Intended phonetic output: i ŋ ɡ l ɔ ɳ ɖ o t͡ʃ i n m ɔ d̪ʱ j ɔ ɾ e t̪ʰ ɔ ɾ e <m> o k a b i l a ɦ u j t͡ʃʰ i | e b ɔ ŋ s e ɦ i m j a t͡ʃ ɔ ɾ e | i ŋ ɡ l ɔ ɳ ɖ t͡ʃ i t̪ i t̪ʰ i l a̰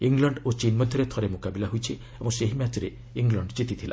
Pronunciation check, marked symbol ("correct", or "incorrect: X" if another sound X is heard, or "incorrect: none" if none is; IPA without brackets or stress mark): correct